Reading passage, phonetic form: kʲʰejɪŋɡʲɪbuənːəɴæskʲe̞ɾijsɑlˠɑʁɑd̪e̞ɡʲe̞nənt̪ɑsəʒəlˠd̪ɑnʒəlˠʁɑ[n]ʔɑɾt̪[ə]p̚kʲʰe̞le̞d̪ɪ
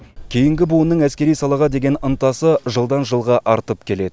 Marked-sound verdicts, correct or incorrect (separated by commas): incorrect, correct